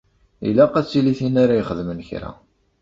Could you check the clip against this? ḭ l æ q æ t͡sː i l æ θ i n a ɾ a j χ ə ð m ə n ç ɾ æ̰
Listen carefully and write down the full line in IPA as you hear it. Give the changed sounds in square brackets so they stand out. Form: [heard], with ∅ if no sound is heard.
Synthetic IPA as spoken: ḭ l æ q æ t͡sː i l [i] θ i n a ɾ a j χ ə ð m ə n ç ɾ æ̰